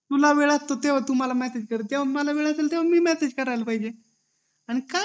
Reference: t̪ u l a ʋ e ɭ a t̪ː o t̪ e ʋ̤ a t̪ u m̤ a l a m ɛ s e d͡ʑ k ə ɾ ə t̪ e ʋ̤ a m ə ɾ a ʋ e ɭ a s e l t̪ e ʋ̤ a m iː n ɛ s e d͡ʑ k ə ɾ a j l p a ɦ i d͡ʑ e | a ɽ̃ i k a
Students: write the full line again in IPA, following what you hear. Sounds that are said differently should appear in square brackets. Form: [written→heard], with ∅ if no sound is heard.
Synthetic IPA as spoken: t̪ u l a ʋ e ɭ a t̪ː o t̪ e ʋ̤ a t̪ u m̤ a l a m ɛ s e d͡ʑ k ə ɾ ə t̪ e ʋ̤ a m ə [ɾ→l] a ʋ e ɭ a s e l t̪ e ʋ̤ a m iː [n→m] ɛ s e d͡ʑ k ə ɾ a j l p a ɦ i d͡ʑ e | a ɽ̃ i k a

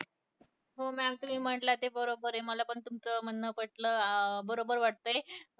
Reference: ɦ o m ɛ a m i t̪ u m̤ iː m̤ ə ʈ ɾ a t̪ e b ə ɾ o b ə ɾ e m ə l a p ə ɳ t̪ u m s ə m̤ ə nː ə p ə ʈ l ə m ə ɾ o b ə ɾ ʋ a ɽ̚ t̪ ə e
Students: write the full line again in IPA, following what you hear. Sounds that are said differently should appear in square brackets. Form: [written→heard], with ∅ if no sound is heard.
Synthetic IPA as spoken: ɦ o m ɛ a m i t̪ u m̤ iː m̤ ə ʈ [ɾ→l] a t̪ e b ə ɾ o b ə ɾ e m ə l a p ə ɳ t̪ u m [s→t͡s] ə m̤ ə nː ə p ə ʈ l ə [m→b] ə ɾ o b ə ɾ ʋ a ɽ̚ t̪ ə e

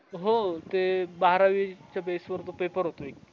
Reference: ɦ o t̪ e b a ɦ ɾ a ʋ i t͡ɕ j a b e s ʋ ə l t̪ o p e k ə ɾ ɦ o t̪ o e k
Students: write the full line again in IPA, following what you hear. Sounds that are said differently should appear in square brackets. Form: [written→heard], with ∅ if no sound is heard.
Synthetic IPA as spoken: ɦ o t̪ e b a ɦ ɾ a ʋ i t͡ɕ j a b e s ʋ ə [l→ɾ] t̪ o p e [k→p] ə ɾ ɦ o t̪ o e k

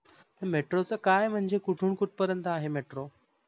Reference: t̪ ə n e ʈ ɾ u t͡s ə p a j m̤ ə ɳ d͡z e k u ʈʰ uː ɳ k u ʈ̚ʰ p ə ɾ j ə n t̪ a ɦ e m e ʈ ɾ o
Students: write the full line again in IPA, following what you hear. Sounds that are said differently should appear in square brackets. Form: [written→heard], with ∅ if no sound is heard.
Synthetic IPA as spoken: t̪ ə [n→m] e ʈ ɾ [u→o] t͡s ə [p→k] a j m̤ ə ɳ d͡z e k u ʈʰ uː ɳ k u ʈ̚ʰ p ə ɾ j ə n t̪ a ɦ e m e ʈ ɾ o

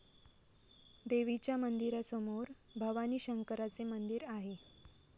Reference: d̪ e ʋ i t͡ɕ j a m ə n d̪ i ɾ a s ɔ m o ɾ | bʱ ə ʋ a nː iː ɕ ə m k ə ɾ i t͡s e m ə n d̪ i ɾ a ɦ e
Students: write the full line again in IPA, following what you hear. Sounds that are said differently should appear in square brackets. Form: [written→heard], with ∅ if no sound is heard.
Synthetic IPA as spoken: d̪ e ʋ i t͡ɕ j a m ə n d̪ i ɾ a s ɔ m o ɾ | bʱ ə ʋ a [nː→n] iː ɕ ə [m→ŋ] k ə ɾ [i→a] t͡s e m ə n d̪ i ɾ a ɦ e

